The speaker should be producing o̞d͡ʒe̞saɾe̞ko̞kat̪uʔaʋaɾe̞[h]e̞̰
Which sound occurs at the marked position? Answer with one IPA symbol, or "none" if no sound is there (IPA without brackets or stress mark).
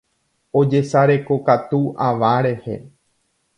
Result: h